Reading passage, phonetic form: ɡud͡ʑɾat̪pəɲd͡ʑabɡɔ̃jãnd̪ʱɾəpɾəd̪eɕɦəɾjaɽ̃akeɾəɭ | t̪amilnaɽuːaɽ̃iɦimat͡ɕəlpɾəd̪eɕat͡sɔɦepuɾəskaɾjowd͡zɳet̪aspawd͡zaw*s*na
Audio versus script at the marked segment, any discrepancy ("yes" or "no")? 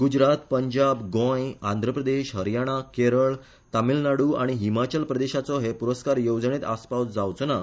yes